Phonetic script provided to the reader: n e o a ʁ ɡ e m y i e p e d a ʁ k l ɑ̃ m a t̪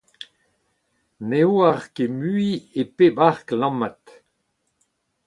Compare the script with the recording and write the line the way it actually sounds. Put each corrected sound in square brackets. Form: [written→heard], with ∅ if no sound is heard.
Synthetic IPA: n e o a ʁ [ɡ→k] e m y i e p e [d→b] a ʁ k l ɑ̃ m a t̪

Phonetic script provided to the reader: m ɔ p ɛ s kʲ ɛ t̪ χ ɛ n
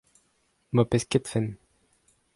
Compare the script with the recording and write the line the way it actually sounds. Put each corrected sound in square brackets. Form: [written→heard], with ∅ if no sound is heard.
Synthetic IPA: m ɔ p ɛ s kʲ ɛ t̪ [χ→f] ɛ n

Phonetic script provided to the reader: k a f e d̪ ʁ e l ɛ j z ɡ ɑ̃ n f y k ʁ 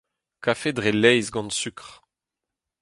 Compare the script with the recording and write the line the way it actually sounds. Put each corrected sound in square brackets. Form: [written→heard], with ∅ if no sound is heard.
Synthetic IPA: k a f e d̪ ʁ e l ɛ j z ɡ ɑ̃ n [f→s] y k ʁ

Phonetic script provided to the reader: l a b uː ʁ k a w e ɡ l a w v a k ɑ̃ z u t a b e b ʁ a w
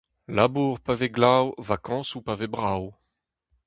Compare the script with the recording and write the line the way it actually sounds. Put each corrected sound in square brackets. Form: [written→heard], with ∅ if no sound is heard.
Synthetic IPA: l a b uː ʁ [k→p] a [w→v] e ɡ l a w v a k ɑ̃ [z→s] u [t→p] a [b→v] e b ʁ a w

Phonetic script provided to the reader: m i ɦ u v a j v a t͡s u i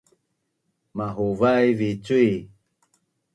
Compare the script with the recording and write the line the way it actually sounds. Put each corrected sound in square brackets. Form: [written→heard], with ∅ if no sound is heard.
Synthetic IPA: m [i→a] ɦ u v a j v [a→i] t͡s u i

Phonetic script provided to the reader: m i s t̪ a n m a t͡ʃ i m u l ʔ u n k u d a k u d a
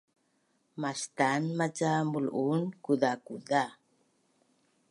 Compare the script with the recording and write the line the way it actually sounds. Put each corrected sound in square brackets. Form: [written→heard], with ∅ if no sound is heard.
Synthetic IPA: m [i→a] s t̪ a n m a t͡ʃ [i→a] m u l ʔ u n k u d a k u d a

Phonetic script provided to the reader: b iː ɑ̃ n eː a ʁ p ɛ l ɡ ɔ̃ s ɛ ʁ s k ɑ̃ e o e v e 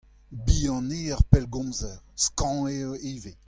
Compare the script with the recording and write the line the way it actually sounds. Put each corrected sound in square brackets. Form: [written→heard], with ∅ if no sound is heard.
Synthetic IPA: b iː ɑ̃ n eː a ʁ p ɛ l ɡ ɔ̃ [s→z] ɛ ʁ s k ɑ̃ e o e v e

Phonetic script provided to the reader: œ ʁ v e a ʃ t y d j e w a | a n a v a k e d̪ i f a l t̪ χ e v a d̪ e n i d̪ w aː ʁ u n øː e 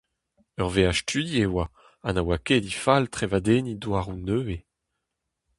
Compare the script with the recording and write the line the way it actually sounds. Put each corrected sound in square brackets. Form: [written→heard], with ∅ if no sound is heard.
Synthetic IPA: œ ʁ v e a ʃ t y d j e w a | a n a [v→w] a k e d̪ i f a l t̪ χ e v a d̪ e n i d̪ w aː ʁ u n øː e

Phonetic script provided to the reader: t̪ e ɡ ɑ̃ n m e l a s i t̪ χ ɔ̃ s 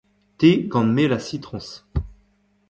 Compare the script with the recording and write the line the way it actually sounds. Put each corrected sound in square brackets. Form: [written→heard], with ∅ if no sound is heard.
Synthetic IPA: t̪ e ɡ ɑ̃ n m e l a s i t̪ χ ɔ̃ s

